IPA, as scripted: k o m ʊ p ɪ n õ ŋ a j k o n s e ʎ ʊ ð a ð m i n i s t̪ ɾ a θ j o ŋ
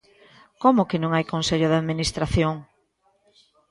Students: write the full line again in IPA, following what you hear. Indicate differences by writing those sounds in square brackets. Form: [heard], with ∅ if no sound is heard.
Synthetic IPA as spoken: k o m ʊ [k] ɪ n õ ŋ a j k o n s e ʎ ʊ ð a ð m i n i s t̪ ɾ a θ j o ŋ